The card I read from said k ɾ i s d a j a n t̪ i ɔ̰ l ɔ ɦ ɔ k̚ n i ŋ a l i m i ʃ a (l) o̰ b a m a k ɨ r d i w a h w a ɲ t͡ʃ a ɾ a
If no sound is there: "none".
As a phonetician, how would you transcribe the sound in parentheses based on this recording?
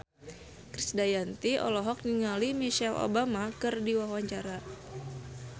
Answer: l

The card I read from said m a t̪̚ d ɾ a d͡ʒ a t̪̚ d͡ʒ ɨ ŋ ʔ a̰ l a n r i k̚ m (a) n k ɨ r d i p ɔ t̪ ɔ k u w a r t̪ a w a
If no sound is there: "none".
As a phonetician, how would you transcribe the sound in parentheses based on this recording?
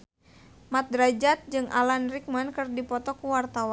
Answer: a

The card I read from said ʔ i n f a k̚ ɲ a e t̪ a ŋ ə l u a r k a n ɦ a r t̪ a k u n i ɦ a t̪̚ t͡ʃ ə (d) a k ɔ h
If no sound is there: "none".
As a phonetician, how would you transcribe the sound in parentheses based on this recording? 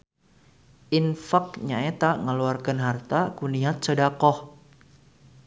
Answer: d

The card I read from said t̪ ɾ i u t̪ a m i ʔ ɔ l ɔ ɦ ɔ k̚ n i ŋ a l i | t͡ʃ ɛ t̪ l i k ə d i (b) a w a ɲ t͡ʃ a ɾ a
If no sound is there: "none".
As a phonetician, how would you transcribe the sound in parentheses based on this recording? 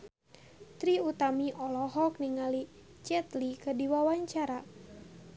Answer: w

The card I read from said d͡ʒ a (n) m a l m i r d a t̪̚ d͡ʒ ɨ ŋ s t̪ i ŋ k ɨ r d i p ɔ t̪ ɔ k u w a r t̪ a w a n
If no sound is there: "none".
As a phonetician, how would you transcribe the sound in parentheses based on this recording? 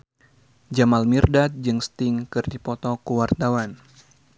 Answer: none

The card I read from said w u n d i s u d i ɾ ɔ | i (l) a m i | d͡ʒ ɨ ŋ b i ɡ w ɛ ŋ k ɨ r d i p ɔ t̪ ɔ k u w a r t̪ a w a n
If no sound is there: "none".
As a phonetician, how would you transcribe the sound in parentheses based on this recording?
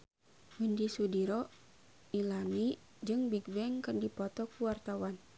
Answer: l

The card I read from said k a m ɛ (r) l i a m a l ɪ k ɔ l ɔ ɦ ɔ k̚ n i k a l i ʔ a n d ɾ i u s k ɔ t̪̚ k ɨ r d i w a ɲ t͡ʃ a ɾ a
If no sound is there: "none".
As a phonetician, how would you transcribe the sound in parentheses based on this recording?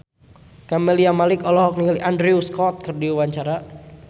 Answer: none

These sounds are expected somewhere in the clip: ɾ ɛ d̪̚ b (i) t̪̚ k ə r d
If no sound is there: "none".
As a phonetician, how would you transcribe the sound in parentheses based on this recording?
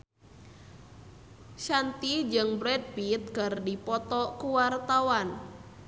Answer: i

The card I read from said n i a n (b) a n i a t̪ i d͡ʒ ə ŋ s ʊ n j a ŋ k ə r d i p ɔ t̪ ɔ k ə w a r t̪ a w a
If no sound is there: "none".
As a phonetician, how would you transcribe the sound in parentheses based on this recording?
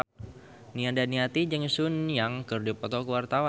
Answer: d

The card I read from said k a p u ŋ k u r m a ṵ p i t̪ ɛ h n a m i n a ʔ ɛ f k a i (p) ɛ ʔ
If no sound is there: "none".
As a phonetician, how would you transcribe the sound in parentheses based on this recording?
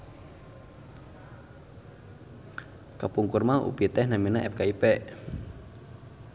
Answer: p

